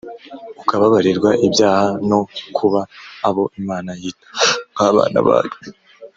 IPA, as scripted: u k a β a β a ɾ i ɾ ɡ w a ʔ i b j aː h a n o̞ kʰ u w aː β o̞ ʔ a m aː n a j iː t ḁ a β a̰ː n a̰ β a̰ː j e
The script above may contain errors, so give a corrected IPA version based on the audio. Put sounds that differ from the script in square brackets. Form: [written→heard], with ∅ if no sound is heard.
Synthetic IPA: u k a β a β a ɾ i ɾ ɡ w a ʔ i b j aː h a n o̞ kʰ u [w→β] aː β o̞ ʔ [a→i] m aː n a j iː t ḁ a β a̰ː n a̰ β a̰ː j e